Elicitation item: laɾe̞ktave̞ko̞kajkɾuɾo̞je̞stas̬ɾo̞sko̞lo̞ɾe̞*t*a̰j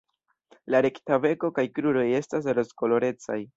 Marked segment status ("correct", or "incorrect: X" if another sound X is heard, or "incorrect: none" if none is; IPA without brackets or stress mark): incorrect: t͡s